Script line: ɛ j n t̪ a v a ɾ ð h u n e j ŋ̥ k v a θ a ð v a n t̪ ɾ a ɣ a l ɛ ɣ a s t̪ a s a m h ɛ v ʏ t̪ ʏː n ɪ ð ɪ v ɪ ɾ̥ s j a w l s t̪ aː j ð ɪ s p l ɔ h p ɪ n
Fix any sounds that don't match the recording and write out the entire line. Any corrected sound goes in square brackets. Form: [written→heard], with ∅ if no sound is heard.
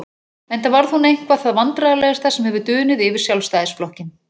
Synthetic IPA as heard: ɛ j n t̪ a v a ɾ ð h u n e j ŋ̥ k v a θ a ð v a n t̪ ɾ a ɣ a l ɛ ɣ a s t̪ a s [a→ɛ] m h ɛ v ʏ t̪ ʏː n ɪ ð ɪ v ɪ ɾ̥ s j a w l s t̪ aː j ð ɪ s p l ɔ h [p→c] ɪ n